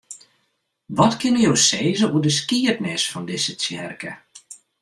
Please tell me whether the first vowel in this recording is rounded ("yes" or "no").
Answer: yes